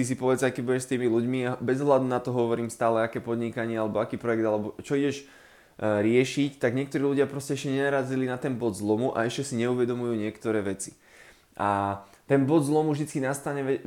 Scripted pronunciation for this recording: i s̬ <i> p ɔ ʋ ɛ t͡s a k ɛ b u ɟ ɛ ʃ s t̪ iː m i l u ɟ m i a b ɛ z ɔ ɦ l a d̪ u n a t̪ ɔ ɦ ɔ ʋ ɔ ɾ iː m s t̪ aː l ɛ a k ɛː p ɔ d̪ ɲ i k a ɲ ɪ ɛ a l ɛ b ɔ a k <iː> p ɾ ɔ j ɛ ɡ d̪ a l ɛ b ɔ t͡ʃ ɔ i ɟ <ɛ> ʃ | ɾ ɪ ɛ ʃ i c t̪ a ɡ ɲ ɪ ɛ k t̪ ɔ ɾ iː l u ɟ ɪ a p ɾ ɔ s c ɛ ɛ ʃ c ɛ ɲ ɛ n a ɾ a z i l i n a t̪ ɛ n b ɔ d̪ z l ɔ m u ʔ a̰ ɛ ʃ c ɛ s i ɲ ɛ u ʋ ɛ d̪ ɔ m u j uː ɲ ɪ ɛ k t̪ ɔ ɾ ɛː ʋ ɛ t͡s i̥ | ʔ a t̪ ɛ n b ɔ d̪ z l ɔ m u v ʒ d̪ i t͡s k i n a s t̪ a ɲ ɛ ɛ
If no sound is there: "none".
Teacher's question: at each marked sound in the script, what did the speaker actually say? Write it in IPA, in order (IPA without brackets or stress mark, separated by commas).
i, iː, ɛ